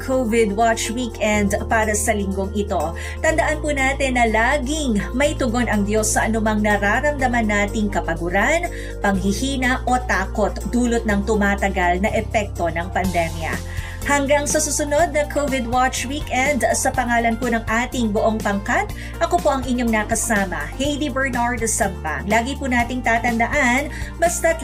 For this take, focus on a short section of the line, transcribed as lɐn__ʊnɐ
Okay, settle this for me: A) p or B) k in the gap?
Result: A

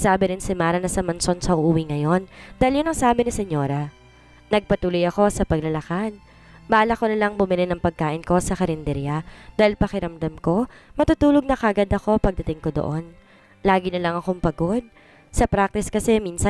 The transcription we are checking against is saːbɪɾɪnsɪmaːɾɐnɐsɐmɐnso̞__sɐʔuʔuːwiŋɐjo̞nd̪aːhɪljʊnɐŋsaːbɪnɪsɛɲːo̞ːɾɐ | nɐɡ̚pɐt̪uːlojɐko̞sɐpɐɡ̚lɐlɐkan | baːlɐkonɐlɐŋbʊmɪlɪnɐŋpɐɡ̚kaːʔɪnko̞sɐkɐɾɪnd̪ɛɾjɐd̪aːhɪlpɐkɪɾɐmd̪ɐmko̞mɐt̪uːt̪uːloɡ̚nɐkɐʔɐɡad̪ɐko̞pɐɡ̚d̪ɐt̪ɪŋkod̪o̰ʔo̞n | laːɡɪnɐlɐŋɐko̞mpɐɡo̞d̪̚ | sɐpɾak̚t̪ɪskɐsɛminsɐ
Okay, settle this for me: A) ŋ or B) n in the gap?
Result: B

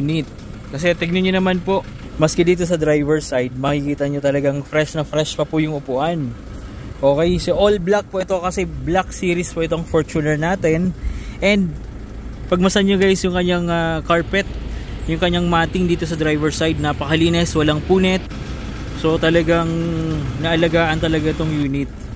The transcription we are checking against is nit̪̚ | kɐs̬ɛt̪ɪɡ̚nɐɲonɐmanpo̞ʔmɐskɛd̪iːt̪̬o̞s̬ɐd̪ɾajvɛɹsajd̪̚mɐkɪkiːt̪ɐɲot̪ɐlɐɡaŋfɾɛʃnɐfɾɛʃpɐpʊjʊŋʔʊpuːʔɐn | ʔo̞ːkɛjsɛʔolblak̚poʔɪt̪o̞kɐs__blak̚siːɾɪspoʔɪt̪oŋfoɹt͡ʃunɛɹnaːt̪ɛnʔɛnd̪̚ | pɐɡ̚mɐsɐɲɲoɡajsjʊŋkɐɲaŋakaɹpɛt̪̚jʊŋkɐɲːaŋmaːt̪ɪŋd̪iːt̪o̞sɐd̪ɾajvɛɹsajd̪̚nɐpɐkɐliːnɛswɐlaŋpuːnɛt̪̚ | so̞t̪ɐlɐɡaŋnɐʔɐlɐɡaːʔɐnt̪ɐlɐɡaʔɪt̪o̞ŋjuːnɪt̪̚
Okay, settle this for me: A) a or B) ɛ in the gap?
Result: B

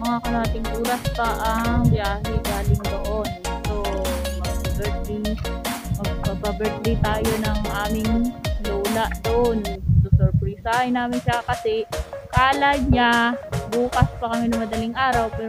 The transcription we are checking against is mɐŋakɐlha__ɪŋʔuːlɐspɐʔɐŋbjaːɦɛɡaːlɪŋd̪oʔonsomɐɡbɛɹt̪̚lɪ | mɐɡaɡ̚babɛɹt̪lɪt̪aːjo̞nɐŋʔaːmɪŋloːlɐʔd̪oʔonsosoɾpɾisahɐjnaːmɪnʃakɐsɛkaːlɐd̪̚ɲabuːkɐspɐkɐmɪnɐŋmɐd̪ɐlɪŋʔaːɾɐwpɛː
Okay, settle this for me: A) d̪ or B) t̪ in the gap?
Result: B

